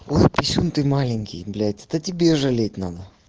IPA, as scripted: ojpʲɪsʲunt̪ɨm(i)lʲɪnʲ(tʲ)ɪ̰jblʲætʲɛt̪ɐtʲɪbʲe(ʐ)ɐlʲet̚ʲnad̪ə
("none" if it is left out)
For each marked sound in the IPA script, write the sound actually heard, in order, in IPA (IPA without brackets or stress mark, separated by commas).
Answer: a, kʲ, ʐ